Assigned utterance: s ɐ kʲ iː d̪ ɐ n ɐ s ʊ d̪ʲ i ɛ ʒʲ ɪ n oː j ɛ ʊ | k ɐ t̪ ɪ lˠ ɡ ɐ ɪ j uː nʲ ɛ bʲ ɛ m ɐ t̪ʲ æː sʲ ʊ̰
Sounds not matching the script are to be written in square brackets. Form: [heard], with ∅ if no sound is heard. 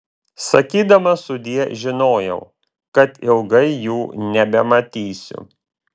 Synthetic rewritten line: s ɐ kʲ iː d̪ ɐ [m] ɐ s ʊ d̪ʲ i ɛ ʒʲ ɪ n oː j ɛ ʊ | k ɐ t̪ ɪ lˠ ɡ ɐ ɪ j uː nʲ ɛ bʲ ɛ m ɐ t̪ʲ [iː] sʲ ʊ̰